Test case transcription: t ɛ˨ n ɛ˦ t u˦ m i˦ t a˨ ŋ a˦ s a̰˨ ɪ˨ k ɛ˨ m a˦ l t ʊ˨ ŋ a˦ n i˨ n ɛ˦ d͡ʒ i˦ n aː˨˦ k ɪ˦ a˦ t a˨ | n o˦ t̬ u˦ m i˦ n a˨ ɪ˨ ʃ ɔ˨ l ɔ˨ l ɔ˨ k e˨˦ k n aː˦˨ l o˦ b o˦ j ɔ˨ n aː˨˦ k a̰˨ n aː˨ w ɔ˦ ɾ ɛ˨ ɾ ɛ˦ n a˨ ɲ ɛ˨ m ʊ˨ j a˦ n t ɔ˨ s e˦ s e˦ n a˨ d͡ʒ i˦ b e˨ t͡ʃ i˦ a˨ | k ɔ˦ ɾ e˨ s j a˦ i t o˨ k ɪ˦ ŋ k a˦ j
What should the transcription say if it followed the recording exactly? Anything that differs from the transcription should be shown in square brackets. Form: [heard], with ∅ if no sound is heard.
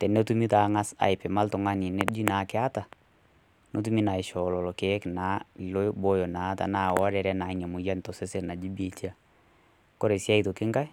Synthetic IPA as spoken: t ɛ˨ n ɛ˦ t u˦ m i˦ t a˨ ŋ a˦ s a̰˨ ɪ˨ [p] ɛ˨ m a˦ l t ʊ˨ ŋ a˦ n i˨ n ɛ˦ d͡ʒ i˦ n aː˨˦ k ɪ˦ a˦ t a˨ | n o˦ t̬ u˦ m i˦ n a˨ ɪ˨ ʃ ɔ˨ l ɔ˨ l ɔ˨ k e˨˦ k n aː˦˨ l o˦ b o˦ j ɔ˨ n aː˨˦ [t] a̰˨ n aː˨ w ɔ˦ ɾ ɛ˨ ɾ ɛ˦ n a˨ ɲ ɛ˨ m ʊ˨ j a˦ n t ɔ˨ s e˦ s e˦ n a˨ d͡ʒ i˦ b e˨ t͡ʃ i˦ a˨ | k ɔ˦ ɾ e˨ s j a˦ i t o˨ k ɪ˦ ŋ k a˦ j